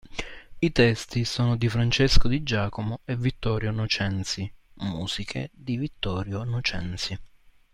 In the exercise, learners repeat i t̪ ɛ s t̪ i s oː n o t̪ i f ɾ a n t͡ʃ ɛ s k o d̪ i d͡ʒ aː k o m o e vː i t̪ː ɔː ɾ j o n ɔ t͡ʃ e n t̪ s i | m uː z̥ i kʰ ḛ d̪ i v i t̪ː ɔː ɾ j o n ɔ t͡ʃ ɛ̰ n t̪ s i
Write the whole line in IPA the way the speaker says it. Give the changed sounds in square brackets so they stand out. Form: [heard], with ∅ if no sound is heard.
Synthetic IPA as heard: i t̪ ɛ s t̪ i s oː n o [d̪] i f ɾ a n t͡ʃ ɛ s k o d̪ i d͡ʒ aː k o m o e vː i t̪ː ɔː ɾ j o n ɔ t͡ʃ [ɛ] n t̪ s i | m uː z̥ i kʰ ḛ d̪ i v i t̪ː ɔː ɾ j o n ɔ t͡ʃ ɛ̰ n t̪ s i